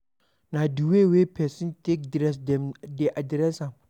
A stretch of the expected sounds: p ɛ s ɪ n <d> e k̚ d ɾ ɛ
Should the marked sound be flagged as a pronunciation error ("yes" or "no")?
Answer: yes